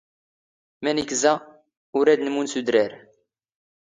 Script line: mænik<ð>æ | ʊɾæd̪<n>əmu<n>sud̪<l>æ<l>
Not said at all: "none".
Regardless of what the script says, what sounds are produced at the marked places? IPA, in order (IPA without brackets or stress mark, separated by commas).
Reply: z, n, n, ɾ, ɾ